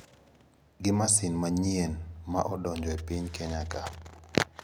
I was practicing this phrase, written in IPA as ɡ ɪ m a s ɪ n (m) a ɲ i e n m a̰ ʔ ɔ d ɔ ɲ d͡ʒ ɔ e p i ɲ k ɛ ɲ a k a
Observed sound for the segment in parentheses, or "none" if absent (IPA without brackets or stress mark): m